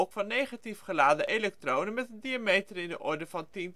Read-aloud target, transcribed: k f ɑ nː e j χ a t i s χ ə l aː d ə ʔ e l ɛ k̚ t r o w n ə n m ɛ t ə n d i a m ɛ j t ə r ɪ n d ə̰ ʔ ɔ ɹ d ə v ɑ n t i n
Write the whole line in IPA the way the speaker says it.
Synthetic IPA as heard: k f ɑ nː e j χ a t i f χ ə l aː d ə ʔ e l ɛ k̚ t r o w n ə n m ɛ t ə n d i a m e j t ə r ɪ n d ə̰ ʔ ɔ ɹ d ə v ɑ n t i n